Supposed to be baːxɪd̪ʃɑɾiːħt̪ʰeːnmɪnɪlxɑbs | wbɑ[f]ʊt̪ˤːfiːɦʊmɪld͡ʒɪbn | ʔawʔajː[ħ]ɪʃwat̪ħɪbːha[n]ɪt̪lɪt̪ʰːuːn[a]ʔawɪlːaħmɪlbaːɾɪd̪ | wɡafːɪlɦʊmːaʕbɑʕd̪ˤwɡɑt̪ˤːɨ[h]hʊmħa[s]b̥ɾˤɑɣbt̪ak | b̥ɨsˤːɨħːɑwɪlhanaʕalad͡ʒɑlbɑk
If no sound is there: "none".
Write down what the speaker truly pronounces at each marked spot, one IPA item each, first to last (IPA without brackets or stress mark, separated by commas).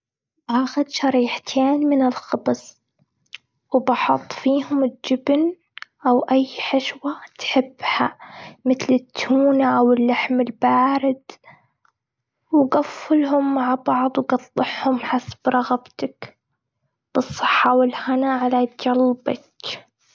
ħ, ħ, m, a, ħ, s